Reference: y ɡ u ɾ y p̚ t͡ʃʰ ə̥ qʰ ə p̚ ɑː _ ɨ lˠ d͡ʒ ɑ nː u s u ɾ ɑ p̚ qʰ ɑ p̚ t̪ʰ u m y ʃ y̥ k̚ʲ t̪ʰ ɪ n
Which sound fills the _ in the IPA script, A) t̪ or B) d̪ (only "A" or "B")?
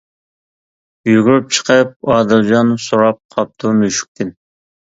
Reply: B